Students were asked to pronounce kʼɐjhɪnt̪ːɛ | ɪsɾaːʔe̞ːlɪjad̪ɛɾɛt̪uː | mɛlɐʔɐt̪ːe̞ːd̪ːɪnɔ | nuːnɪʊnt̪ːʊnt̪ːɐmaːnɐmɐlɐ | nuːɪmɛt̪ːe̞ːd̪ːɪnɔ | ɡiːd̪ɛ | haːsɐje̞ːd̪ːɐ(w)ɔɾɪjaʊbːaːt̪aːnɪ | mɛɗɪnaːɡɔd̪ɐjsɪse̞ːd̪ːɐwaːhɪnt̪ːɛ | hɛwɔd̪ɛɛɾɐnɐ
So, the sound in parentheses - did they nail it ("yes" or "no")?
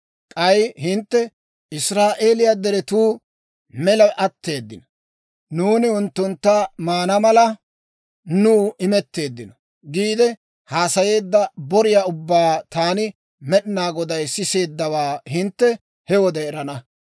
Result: no